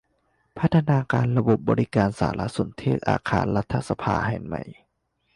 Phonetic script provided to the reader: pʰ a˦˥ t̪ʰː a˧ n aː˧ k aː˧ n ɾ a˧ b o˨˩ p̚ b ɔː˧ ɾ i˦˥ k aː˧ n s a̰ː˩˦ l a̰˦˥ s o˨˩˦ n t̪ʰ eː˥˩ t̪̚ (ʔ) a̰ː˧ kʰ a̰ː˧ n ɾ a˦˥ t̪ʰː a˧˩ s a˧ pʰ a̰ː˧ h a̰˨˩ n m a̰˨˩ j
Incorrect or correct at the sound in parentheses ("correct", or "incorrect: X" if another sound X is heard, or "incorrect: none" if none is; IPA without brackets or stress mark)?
correct